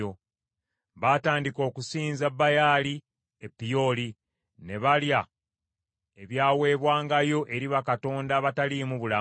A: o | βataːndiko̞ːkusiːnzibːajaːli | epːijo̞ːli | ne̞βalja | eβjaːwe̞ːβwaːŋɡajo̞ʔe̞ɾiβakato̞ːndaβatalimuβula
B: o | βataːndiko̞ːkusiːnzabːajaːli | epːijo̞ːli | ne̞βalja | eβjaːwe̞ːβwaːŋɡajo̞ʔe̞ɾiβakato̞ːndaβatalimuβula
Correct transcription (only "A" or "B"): B